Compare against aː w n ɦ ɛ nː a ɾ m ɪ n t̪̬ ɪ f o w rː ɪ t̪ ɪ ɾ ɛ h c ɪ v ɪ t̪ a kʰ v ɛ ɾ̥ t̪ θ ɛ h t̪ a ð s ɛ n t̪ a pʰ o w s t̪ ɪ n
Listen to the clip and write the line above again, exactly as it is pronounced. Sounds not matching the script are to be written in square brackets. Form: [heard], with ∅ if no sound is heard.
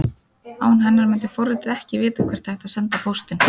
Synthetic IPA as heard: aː w n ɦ ɛ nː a ɾ m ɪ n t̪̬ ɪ f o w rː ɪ t̪ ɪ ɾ ɛ h c ɪ v [ɪː] t̪ a kʰ v ɛ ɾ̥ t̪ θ ɛ h t̪ a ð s ɛ n t̪ a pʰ o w s t̪ ɪ n